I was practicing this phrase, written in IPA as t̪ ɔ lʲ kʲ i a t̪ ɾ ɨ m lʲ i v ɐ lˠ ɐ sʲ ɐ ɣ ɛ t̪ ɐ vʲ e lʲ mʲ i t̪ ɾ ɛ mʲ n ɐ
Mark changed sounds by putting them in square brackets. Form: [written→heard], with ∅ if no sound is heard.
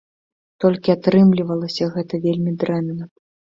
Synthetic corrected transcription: t̪ ɔ lʲ kʲ i a t̪ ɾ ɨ m lʲ i v ɐ lˠ ɐ sʲ ɐ ɣ ɛ t̪ ɐ vʲ e lʲ mʲ i [t̪→d̪] ɾ ɛ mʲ n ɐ